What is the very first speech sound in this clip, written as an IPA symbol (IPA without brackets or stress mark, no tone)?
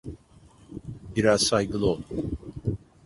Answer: b